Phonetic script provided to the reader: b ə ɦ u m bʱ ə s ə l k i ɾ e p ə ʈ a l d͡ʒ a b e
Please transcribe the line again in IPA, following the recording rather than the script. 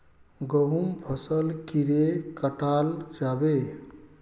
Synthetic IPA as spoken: ɡ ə ɦ u m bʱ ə s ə l k i ɾ e k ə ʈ a l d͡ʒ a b e